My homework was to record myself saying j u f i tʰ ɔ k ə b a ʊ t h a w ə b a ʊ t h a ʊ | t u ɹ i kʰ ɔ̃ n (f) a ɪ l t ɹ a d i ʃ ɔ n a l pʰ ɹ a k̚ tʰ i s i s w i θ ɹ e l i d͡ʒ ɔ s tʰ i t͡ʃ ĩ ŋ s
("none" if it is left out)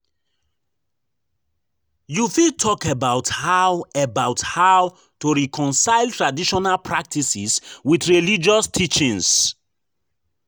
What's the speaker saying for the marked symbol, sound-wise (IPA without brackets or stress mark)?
s